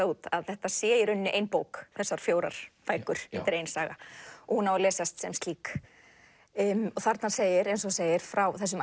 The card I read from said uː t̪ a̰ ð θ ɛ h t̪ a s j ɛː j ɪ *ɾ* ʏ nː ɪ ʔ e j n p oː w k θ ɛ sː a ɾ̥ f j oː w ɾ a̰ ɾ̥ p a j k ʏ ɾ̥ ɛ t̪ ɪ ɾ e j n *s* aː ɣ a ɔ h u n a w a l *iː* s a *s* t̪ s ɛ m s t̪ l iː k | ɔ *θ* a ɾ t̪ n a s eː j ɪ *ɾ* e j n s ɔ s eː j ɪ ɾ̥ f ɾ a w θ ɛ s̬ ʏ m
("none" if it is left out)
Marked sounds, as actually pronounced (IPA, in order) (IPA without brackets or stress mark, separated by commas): ɾ, s, ɛː, s, θ, ɾ